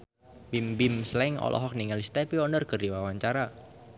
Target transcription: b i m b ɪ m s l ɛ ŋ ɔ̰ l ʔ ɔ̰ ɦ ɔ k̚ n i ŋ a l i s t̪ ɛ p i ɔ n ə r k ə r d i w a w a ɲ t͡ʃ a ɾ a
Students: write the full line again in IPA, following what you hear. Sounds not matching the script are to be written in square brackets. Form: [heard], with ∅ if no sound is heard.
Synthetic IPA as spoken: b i m b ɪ m s l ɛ ŋ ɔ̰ l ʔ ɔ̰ ɦ ɔ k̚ n i ŋ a l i s t̪ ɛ p i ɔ n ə r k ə r d i w a w a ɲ t͡ʃ a ɾ a